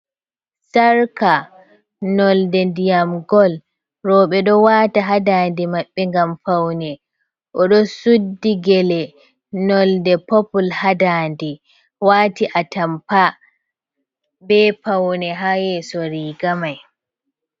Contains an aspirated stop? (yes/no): no